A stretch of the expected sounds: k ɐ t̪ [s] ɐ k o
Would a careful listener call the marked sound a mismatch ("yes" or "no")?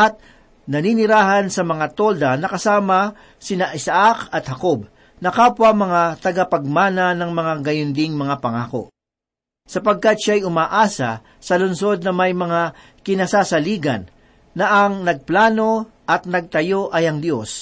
yes